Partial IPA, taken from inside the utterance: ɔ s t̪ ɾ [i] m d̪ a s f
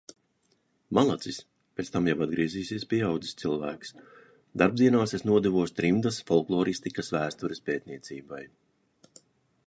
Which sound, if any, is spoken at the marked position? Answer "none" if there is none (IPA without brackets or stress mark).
i